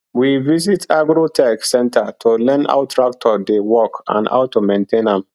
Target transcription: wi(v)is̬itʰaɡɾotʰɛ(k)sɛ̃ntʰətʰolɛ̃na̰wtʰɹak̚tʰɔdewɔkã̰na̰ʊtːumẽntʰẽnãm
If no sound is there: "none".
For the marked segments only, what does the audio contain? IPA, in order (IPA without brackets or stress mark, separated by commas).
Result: v, k